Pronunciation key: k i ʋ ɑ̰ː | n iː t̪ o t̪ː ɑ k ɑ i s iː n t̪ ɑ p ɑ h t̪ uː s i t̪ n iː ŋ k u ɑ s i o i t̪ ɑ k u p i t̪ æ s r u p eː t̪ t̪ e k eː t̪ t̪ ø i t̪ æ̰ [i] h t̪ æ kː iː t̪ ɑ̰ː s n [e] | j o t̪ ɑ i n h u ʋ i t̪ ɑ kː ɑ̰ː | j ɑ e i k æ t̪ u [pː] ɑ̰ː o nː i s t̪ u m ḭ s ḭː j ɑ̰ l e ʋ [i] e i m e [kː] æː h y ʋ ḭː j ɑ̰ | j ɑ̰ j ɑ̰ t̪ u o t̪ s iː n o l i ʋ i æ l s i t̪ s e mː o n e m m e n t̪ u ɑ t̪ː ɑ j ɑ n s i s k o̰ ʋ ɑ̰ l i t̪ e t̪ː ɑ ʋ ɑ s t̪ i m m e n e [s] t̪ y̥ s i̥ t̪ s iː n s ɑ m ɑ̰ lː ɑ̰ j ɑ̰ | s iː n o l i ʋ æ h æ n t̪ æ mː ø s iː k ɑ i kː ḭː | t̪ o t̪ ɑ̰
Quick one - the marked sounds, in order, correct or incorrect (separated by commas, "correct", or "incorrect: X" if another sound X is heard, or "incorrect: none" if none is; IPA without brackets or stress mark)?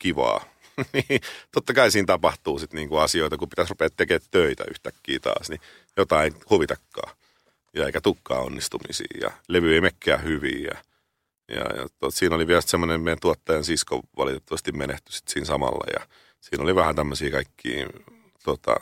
incorrect: y, incorrect: i, incorrect: kː, incorrect: y, correct, incorrect: h